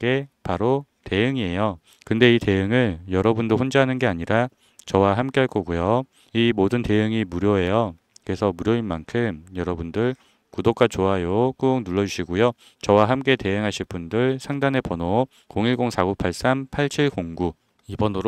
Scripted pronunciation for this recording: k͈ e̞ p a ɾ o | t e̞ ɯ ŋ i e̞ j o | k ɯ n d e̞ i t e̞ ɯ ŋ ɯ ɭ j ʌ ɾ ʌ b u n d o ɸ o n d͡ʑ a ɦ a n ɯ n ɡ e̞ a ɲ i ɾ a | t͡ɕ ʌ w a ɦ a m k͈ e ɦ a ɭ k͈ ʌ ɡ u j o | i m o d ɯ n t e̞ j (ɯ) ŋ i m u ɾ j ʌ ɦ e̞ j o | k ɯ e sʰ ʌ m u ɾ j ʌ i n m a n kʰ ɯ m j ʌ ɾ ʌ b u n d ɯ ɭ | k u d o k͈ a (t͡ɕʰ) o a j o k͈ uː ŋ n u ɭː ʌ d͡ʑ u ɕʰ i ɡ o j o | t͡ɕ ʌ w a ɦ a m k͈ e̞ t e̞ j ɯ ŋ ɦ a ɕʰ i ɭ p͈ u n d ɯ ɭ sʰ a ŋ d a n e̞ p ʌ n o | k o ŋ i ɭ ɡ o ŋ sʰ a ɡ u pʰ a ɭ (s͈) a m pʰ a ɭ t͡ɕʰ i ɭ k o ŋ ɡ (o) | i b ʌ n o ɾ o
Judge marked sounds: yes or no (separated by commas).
yes, no, yes, no